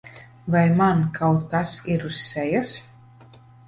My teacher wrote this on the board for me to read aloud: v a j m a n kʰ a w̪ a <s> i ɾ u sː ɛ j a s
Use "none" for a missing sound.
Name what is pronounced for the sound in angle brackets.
s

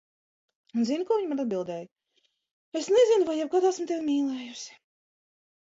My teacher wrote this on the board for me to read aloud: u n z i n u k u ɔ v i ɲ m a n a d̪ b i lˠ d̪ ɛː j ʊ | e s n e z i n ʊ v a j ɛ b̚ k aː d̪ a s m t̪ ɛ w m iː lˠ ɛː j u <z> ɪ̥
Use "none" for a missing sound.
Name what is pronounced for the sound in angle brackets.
s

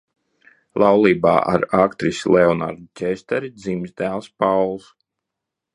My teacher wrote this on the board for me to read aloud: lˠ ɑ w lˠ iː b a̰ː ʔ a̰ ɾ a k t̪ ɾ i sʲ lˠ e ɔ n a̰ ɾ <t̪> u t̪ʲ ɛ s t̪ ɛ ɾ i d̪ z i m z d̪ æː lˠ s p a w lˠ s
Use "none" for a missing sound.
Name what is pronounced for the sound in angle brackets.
d̪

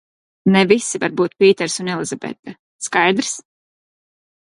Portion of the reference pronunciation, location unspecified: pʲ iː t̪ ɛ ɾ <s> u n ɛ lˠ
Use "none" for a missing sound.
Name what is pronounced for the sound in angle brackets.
s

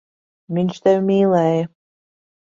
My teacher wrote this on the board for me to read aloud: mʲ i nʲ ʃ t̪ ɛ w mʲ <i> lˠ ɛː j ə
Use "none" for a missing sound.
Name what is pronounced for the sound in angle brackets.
iː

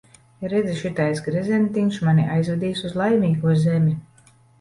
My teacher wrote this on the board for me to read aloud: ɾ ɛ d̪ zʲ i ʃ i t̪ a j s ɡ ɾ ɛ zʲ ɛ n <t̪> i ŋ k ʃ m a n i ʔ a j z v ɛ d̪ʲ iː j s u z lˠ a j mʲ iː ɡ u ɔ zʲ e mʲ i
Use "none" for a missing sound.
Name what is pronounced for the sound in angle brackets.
t̪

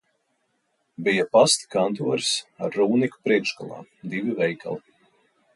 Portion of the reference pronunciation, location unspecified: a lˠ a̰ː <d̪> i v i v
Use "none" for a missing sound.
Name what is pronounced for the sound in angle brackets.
d̪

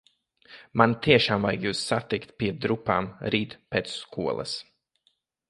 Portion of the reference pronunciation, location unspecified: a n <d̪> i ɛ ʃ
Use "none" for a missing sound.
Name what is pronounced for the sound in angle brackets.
t̪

